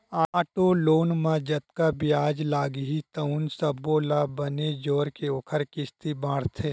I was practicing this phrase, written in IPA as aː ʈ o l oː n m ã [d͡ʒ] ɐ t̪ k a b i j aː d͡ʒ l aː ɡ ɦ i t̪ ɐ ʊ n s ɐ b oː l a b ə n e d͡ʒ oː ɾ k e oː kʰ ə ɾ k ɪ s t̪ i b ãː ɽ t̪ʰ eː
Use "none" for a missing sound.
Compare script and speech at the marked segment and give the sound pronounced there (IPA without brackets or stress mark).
d͡ʒ